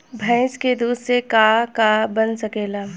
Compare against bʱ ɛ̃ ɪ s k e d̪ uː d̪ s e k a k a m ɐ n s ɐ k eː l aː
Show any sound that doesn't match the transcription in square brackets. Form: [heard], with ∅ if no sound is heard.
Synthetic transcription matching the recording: bʱ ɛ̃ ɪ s k e d̪ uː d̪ s e k a k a [b] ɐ n s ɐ k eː l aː